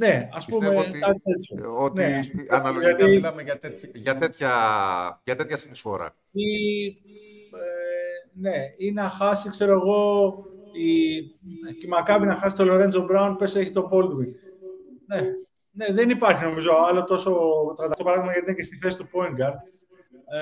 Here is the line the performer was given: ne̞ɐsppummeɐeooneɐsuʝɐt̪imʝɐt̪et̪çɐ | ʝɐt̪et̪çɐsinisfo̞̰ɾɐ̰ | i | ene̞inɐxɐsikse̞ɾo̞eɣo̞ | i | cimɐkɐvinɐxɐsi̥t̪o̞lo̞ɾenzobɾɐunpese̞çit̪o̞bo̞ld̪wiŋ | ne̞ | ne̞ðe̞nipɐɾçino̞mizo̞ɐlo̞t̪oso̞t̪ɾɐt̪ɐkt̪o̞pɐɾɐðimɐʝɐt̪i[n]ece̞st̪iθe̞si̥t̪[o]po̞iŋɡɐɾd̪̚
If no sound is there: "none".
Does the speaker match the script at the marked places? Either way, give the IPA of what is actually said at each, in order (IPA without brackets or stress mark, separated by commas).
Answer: n, u